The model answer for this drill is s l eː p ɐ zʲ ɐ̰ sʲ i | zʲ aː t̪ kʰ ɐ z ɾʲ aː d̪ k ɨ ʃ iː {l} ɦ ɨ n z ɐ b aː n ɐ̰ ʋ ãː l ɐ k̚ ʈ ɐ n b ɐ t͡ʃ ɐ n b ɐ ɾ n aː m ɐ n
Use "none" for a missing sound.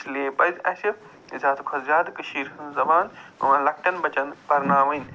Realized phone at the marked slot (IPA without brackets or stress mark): ɾ